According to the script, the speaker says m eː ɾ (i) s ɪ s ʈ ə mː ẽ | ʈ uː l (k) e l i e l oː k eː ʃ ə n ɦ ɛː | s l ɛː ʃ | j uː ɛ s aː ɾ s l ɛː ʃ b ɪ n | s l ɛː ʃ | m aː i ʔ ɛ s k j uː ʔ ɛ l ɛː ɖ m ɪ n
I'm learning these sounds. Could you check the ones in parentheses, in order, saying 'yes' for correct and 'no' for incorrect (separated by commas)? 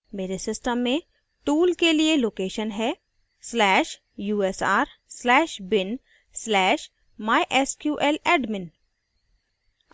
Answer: no, yes